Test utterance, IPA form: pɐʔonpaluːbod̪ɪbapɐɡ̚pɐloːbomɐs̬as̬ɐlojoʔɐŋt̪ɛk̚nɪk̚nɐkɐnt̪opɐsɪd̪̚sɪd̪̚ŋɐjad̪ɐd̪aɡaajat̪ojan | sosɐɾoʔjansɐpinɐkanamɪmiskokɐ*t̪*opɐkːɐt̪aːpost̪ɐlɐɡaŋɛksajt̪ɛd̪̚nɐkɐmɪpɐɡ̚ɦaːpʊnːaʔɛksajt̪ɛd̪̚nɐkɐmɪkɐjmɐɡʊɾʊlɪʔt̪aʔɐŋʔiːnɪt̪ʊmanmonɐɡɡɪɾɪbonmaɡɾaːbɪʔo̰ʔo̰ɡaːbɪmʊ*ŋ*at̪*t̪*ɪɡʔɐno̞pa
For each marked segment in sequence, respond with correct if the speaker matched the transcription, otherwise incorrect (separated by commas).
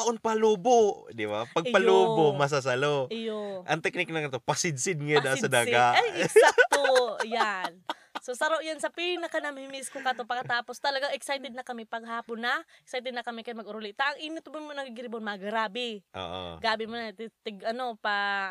correct, incorrect, correct